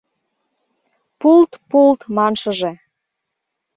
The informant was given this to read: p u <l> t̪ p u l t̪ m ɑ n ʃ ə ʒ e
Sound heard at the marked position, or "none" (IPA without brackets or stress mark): l